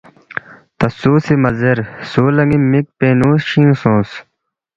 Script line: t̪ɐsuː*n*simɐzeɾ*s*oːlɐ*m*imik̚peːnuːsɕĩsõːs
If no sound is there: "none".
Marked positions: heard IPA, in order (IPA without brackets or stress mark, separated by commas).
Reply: none, s, ŋ